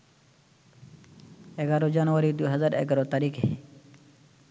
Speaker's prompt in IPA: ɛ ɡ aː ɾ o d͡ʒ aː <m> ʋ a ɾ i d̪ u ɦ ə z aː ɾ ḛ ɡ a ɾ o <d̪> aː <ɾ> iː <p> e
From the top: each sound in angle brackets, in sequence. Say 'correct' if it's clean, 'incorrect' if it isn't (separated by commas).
incorrect, incorrect, correct, incorrect